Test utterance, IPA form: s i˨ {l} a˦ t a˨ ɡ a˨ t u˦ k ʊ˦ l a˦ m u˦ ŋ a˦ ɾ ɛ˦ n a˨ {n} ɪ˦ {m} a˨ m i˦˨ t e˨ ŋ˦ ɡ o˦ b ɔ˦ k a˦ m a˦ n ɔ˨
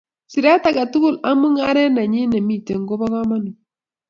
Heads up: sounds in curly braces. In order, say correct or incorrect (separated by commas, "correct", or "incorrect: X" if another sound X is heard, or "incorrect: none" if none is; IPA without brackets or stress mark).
incorrect: ɾ, incorrect: ɲ, incorrect: n